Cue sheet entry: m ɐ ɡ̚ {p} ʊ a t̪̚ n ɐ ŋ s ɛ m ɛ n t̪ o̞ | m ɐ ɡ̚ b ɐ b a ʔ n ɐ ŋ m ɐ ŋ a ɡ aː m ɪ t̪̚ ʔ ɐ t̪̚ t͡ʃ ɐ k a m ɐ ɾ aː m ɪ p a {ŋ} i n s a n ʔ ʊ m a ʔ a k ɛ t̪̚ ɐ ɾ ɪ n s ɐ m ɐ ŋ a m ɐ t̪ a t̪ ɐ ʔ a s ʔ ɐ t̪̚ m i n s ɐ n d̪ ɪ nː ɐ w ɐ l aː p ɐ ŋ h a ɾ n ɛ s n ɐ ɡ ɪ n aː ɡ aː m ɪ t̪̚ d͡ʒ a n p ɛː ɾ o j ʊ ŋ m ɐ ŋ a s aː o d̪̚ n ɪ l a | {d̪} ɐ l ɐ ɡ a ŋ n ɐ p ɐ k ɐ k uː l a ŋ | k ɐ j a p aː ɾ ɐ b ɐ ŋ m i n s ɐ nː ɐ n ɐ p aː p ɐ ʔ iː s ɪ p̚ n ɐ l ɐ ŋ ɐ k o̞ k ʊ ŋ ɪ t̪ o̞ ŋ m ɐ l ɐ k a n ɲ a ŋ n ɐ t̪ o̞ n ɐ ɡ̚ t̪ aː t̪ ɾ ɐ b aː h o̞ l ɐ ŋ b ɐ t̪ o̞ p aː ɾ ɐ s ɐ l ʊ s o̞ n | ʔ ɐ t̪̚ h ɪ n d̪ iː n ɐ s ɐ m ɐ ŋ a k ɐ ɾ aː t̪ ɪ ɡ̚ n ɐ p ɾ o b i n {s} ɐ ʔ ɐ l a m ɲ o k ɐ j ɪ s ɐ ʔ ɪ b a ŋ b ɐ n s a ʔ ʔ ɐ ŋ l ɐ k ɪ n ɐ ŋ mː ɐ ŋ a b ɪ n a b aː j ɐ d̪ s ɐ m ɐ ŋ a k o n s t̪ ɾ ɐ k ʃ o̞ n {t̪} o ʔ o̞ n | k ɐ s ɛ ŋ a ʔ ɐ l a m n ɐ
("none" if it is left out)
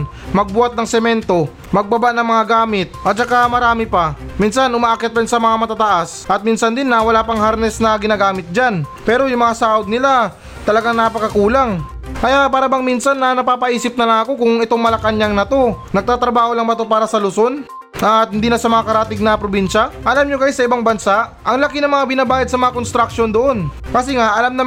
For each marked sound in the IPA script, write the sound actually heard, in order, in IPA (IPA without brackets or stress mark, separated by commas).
b, m, t̪, ʃ, d̪